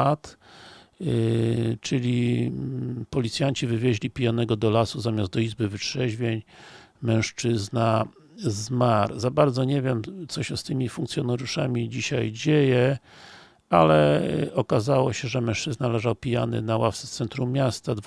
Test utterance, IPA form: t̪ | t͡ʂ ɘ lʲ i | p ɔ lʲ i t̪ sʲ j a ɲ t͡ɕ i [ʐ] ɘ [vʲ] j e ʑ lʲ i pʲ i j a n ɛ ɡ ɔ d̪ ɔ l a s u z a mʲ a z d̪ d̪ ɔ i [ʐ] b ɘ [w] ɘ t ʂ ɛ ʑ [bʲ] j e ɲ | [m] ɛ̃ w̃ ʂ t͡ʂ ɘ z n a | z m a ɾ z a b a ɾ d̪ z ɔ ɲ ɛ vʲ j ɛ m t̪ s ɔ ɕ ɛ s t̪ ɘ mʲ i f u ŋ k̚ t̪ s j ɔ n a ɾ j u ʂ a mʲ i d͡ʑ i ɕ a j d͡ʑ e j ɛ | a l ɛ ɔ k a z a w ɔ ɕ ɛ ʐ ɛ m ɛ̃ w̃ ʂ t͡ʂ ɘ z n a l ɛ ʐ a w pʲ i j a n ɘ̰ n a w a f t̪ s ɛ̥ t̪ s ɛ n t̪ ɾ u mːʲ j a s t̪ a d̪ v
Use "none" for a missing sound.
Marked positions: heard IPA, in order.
v, vʲ, z, v, vʲ, m

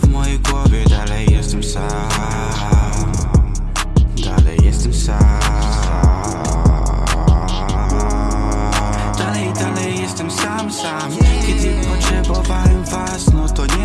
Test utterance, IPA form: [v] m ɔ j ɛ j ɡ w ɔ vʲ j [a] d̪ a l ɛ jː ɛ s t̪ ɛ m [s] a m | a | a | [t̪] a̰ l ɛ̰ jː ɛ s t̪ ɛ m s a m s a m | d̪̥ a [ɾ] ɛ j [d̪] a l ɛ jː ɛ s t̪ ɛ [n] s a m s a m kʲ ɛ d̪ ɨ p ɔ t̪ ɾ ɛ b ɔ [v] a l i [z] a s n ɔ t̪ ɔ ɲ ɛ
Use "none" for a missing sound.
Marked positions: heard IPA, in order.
v, ɛ, s, d̪, l, d̪, m, v, v

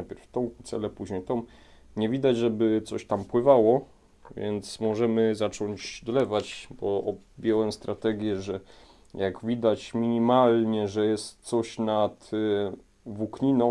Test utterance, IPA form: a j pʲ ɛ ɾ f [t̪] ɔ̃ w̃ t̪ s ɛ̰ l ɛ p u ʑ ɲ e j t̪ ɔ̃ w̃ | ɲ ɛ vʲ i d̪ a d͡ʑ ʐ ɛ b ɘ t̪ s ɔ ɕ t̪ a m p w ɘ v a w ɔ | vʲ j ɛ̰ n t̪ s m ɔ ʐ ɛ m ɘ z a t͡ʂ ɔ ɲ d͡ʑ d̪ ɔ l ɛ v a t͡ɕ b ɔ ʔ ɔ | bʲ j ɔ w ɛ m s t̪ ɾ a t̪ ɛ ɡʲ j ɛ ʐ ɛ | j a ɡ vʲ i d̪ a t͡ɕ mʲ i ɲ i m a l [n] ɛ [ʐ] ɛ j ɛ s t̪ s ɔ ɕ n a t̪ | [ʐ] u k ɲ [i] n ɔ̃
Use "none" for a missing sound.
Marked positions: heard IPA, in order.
t̪, ɲ, ʐ, v, i

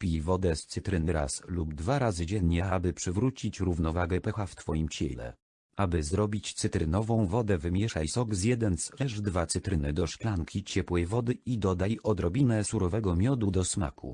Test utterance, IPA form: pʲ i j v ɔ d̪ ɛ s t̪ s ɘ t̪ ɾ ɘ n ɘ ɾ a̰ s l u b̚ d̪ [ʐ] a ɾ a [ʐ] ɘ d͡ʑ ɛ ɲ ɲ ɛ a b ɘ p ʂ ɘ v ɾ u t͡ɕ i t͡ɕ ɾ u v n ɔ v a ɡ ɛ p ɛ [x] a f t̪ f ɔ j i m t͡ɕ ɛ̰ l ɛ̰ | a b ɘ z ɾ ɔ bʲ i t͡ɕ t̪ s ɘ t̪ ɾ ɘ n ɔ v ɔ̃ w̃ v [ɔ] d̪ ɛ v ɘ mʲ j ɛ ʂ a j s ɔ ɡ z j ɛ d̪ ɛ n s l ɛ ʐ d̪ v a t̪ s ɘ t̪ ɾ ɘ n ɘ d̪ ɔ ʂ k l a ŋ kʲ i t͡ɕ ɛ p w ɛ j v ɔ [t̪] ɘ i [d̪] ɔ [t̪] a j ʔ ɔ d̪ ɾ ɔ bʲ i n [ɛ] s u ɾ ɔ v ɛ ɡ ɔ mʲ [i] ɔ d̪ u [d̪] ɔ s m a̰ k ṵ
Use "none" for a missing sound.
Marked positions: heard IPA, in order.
v, z, x, ɔ, d̪, d̪, d̪, ɛ, j, d̪

